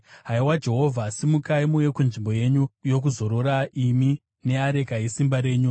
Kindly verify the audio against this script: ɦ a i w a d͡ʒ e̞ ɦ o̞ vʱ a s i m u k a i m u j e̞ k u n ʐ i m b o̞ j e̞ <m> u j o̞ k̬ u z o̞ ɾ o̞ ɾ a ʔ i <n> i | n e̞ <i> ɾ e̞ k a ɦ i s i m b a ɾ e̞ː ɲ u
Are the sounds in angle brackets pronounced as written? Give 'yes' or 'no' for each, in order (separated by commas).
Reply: no, no, no